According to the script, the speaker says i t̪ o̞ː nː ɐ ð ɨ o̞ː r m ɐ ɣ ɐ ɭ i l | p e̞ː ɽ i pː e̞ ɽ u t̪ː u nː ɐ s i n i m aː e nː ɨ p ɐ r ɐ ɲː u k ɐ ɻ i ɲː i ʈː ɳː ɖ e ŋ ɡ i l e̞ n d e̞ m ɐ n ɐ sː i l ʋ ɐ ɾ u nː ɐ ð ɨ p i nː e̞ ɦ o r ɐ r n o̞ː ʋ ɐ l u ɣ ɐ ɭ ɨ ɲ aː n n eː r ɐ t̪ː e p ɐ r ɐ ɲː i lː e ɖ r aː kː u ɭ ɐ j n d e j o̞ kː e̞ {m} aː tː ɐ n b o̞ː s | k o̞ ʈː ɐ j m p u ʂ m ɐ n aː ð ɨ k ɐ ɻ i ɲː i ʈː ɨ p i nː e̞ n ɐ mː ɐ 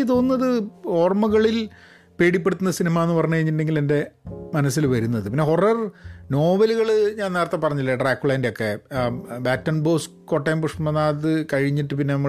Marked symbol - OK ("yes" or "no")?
no